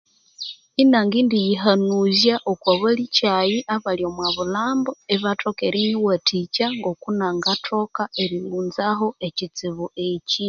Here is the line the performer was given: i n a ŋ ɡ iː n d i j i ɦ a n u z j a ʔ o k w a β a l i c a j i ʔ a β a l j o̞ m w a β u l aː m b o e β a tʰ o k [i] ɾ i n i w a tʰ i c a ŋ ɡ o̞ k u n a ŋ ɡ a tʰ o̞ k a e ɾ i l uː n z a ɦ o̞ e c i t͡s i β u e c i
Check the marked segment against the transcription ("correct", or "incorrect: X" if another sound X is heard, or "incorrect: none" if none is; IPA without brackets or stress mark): incorrect: e